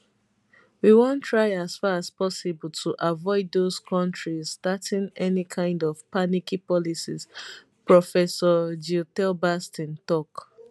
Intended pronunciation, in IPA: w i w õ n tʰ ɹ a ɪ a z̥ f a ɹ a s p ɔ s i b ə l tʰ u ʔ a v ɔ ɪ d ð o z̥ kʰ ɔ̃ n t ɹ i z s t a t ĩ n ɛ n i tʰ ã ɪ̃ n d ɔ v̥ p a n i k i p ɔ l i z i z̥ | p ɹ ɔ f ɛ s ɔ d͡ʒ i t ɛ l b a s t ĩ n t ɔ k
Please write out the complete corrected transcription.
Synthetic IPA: w i w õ n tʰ ɹ a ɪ a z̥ f a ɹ a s p ɔ s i b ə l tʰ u ʔ a v ɔ ɪ d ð o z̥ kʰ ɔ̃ n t ɹ i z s t a t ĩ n ɛ n i kʰ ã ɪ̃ n d ɔ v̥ p a n i k i p ɔ l i s i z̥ | p ɹ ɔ f ɛ s ɔ d͡ʒ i t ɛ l b a s t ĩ n t ɔ k